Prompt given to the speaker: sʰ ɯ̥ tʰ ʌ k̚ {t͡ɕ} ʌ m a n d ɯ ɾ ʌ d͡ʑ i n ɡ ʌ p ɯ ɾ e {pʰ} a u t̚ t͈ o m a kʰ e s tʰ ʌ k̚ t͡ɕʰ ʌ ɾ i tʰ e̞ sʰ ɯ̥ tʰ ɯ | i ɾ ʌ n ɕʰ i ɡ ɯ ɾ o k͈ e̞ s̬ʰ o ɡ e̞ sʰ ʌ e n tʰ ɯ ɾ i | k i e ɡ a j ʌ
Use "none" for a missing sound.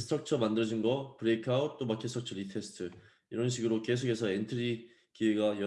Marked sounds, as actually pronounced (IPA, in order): t͡ɕʰ, kʰ

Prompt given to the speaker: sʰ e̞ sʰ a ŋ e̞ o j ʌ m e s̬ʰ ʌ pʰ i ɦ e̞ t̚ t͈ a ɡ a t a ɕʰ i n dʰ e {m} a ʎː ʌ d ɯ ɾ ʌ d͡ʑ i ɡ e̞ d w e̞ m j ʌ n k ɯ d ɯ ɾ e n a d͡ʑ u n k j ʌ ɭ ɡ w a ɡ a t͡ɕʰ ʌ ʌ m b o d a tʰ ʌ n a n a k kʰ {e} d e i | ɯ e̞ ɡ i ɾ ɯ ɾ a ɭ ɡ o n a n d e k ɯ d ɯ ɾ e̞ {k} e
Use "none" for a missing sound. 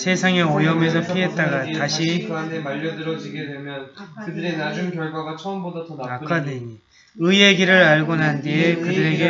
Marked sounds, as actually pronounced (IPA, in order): m, a, ɡ

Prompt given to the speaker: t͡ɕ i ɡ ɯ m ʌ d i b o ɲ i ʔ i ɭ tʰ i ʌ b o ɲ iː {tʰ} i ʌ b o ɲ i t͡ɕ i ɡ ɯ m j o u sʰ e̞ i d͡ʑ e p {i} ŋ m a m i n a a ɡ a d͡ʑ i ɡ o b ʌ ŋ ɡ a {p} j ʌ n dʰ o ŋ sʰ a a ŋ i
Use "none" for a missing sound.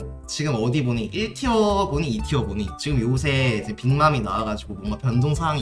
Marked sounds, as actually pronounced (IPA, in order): tʰ, i, p

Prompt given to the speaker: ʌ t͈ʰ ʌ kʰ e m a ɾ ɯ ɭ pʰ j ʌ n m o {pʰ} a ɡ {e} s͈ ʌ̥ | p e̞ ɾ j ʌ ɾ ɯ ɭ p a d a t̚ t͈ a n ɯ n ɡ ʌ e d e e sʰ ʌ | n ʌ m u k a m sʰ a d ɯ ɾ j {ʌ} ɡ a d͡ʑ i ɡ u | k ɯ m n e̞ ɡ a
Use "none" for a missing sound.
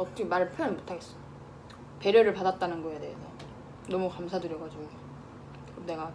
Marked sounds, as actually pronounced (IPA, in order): tʰ, e, ʌ

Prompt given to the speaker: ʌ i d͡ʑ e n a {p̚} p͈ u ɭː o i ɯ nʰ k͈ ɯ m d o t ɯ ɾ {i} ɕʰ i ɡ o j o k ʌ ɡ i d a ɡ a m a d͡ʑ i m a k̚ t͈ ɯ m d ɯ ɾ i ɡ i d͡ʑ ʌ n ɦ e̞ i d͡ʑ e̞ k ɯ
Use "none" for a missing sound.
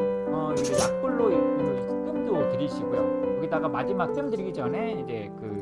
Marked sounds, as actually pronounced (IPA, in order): k̚, i

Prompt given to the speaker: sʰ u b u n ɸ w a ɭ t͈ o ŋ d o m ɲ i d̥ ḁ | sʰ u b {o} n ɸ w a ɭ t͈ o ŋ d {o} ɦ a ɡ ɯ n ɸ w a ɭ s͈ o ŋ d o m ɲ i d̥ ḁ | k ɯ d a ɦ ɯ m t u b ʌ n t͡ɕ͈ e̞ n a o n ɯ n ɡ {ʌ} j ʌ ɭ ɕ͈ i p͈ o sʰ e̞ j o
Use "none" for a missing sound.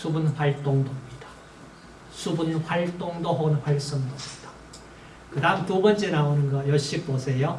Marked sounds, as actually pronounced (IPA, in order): u, o, ʌ

